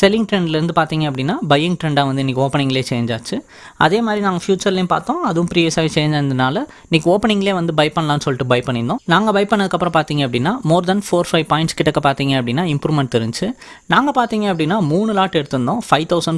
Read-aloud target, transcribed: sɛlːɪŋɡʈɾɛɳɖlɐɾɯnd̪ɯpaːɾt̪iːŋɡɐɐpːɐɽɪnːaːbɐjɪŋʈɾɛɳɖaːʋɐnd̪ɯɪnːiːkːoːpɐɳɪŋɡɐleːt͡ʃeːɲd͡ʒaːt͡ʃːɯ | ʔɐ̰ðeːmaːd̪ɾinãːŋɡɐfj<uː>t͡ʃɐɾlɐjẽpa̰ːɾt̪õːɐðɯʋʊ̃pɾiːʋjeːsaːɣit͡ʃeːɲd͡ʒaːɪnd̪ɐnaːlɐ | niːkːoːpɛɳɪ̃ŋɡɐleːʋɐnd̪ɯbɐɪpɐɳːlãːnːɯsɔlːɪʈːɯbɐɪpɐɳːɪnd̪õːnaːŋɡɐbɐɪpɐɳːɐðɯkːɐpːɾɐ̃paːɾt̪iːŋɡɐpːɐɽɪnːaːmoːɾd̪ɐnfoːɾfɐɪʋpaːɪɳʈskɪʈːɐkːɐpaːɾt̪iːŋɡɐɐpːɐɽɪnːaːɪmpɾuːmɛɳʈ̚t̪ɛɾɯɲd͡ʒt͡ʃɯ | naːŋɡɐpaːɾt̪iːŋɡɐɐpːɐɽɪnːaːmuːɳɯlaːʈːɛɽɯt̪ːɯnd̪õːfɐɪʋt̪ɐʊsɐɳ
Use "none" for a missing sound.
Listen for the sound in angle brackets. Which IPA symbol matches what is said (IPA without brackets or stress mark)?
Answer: uː